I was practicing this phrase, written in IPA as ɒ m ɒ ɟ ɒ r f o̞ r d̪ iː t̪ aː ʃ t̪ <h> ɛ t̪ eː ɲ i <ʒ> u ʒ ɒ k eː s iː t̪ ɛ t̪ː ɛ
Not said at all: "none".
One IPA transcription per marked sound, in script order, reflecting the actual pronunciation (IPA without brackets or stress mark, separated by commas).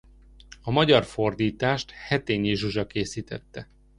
h, ʒ